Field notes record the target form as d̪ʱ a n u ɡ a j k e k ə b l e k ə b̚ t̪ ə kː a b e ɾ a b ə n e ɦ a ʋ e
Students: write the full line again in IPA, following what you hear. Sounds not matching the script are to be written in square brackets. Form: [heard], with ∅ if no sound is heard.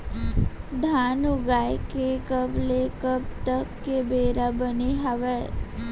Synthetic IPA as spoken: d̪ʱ a n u ɡ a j k e k ə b l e k ə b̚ t̪ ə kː [e] b e ɾ a b ə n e ɦ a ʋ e